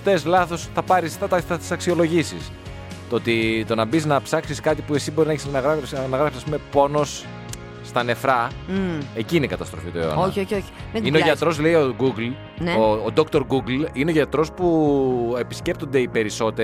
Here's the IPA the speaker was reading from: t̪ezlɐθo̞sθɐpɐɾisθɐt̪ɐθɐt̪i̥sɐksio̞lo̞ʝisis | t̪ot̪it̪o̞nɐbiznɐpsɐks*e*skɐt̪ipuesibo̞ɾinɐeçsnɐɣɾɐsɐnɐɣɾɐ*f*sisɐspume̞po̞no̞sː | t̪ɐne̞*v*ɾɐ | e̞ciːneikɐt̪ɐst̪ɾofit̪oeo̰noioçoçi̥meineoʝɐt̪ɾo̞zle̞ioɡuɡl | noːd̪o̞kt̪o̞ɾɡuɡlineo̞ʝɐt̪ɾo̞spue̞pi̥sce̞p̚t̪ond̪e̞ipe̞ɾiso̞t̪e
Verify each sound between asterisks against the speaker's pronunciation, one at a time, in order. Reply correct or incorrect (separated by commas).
incorrect, correct, incorrect